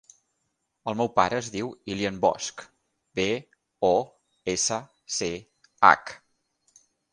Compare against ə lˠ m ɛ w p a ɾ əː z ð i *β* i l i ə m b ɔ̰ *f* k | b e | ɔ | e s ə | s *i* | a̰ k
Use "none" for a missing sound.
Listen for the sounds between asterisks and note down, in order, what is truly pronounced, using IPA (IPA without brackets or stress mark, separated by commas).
w, s, e